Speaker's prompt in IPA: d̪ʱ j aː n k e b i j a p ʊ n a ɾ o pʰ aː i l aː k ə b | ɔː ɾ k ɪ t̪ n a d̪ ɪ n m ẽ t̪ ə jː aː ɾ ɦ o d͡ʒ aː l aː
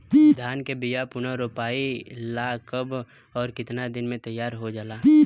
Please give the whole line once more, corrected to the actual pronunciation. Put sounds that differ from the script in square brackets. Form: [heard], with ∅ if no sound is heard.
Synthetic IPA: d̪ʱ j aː n k e b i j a p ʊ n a ɾ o [p] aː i l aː k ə b | ɔː ɾ k ɪ t̪ n a d̪ ɪ n m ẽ t̪ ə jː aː ɾ ɦ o d͡ʒ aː l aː